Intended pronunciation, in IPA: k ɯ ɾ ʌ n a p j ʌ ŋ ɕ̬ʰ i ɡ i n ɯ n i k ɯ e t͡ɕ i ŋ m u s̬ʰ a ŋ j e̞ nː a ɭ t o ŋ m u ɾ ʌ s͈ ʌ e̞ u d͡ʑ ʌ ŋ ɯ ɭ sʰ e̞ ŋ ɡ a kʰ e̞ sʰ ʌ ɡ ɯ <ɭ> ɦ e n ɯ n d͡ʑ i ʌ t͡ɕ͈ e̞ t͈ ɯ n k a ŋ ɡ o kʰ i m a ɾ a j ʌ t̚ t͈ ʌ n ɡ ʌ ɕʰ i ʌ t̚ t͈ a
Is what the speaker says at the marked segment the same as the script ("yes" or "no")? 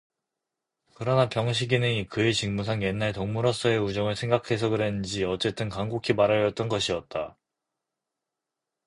no